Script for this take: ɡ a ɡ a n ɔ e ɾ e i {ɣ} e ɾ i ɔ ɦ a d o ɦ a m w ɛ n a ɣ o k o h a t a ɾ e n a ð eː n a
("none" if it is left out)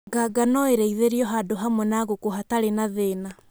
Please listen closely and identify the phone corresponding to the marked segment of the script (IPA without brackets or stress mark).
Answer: ð